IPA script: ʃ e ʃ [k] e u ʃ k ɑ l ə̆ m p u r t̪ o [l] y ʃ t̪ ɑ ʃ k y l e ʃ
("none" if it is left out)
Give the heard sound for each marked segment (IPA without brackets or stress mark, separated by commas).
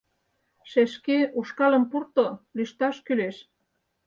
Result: k, l